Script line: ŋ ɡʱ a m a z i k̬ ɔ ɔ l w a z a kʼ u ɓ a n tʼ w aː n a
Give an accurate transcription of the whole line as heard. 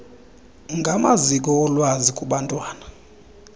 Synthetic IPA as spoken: ŋ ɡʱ a m a z i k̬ ɔ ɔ l w a z i kʼ u ɓ a n tʼ w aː n a